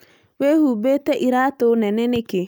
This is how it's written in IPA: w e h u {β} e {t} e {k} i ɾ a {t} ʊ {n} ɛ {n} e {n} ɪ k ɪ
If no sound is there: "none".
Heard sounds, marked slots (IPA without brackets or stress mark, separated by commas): b, t, ʔ, t, n, n, n